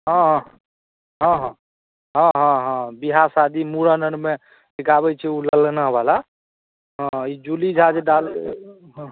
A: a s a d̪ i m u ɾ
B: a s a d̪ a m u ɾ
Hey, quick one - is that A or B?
A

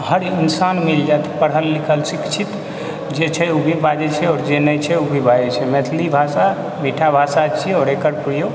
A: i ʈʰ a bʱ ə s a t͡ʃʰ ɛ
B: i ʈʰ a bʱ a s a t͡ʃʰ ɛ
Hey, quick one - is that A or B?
B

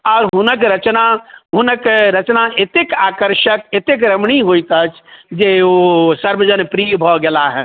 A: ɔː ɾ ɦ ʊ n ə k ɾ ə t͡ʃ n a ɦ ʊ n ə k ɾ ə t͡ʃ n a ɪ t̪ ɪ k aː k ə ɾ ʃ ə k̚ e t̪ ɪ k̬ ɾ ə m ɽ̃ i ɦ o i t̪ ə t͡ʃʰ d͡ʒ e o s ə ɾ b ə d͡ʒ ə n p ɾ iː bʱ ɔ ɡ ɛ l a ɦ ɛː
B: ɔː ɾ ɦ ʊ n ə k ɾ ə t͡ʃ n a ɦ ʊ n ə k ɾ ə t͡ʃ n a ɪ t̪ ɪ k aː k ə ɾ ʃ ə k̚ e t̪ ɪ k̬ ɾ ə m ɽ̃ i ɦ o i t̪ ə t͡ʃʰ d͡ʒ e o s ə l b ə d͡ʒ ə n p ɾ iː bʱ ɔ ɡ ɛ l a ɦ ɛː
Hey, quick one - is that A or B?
A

